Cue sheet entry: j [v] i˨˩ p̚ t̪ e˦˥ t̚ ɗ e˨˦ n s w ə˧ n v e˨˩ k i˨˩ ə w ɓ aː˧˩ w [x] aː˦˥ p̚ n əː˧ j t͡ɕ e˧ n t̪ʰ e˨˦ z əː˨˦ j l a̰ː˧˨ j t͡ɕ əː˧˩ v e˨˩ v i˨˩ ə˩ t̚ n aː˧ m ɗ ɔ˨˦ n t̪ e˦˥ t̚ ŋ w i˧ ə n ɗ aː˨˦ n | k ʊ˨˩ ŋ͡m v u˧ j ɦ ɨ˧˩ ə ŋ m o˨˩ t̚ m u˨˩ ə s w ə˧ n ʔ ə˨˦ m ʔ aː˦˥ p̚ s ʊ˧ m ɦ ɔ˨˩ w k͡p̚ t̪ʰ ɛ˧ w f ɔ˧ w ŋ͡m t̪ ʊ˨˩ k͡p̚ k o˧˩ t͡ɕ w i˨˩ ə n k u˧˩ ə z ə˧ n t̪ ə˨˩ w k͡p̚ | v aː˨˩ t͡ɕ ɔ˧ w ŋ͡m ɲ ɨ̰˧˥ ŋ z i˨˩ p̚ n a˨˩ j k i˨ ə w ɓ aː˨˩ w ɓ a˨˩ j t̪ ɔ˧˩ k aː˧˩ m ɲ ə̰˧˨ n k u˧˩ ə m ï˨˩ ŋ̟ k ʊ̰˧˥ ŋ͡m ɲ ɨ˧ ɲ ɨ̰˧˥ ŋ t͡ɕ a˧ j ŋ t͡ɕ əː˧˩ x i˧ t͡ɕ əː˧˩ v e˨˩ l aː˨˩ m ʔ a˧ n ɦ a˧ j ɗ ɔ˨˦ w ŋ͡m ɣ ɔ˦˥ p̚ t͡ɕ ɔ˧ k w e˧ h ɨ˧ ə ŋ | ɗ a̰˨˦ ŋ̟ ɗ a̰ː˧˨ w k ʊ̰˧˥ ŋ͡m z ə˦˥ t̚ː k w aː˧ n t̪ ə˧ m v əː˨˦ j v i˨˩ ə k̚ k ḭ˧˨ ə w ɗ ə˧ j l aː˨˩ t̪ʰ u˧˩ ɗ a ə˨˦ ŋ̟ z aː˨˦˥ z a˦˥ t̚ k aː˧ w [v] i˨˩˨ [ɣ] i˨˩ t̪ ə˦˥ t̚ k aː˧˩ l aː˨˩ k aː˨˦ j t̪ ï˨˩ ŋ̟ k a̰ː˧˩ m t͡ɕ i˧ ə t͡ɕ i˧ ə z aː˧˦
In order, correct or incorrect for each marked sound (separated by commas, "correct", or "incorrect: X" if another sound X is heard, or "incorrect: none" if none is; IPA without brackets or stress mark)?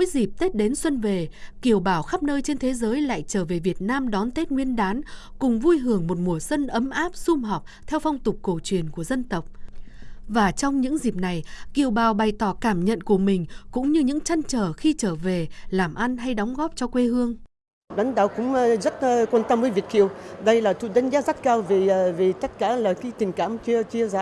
incorrect: z, correct, correct, incorrect: v